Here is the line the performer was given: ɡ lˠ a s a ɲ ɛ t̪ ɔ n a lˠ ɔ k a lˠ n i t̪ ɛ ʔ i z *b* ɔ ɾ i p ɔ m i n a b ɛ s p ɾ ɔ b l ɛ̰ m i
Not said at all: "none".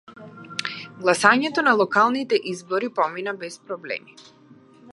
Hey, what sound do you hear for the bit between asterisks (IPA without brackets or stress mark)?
b